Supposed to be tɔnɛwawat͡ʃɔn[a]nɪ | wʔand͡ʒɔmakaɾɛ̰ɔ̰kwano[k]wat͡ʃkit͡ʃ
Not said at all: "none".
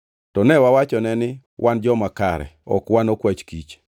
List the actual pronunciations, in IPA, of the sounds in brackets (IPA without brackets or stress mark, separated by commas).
ɛ, k